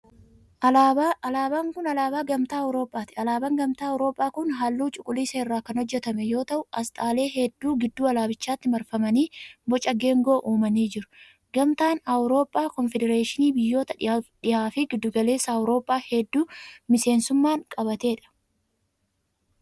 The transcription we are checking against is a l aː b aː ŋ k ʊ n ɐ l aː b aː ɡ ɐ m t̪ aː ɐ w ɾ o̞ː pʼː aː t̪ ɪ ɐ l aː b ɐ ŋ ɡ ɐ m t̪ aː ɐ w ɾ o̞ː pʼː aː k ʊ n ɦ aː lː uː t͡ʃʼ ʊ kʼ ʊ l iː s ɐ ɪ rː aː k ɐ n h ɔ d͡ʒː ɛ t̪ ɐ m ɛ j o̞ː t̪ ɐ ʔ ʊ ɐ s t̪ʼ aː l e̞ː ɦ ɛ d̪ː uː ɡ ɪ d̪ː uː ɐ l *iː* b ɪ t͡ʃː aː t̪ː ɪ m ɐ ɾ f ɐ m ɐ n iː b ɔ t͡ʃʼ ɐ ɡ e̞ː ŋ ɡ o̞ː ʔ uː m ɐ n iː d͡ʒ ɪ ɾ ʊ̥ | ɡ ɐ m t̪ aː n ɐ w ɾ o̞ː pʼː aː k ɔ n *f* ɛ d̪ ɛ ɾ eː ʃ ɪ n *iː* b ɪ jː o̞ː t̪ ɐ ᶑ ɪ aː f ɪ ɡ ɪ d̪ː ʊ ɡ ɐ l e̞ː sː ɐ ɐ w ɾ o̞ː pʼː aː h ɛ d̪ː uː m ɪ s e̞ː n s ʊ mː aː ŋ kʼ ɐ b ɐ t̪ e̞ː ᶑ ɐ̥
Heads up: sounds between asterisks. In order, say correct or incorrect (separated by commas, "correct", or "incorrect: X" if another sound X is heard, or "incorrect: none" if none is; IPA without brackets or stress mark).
incorrect: aː, correct, correct